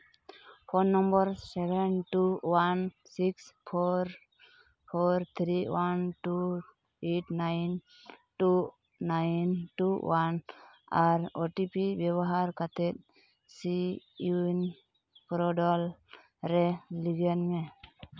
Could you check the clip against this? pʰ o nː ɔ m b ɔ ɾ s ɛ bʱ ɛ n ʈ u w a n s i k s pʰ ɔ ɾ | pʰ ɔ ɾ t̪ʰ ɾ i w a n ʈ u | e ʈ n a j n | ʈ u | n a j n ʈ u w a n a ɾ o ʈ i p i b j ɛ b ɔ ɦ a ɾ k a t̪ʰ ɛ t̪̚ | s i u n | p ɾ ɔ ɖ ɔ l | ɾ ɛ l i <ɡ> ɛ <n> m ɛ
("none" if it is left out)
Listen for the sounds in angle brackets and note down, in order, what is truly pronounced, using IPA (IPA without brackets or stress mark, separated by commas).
ɡ, n